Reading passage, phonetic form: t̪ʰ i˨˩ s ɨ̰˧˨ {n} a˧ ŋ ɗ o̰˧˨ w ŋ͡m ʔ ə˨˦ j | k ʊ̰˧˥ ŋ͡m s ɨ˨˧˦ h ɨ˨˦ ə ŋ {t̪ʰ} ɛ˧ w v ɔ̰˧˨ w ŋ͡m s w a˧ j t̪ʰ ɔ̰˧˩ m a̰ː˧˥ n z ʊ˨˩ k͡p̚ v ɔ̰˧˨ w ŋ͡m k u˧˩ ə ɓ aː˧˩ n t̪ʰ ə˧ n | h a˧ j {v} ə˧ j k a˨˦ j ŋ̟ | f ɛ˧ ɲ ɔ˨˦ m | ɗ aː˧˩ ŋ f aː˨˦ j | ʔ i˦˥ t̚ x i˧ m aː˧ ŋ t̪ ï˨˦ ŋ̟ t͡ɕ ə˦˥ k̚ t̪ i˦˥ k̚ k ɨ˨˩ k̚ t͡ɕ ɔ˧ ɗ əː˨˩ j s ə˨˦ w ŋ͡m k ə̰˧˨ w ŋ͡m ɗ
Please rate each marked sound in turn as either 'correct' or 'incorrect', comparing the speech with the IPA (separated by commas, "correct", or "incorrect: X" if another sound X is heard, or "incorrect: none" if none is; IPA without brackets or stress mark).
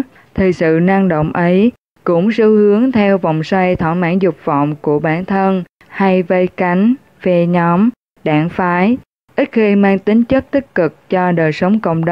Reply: correct, correct, correct